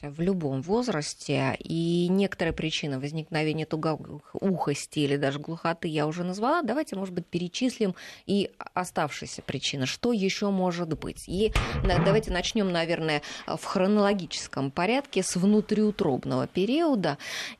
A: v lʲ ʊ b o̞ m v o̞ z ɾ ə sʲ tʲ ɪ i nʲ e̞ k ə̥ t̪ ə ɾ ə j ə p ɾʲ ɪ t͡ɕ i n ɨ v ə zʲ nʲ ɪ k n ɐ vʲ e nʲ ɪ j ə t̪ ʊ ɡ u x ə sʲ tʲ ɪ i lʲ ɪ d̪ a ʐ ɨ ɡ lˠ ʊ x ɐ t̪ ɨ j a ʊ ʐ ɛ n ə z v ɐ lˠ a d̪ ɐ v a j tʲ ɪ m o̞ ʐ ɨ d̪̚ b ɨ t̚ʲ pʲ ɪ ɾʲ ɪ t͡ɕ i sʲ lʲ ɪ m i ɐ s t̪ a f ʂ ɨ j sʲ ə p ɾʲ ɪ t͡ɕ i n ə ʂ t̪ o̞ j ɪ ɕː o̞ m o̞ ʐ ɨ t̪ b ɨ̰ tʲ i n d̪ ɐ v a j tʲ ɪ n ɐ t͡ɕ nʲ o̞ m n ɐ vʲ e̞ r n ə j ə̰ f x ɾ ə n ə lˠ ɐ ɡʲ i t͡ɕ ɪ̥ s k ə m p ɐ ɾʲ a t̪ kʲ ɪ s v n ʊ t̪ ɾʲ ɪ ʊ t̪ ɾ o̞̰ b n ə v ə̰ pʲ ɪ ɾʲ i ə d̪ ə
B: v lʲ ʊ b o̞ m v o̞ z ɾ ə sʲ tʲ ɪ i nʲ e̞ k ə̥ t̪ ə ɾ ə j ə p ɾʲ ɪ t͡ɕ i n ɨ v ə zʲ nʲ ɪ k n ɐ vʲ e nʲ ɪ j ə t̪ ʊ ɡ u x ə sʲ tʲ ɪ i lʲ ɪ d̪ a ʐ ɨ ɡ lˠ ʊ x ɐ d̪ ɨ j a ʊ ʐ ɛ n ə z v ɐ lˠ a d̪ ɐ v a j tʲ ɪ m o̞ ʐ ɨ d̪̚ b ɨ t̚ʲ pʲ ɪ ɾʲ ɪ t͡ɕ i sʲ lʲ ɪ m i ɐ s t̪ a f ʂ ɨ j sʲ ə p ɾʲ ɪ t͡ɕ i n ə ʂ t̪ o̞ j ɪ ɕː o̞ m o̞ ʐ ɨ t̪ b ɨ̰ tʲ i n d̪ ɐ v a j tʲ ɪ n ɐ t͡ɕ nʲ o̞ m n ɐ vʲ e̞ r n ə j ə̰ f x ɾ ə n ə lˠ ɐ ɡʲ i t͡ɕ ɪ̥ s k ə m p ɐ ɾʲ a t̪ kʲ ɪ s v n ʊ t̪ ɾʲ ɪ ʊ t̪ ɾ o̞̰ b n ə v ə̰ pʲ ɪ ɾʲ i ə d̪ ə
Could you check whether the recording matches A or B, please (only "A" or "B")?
A